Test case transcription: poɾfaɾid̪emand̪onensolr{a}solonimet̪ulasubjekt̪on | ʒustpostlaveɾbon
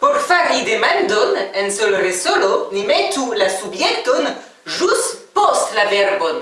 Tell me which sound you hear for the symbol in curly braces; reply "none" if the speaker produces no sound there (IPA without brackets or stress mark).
e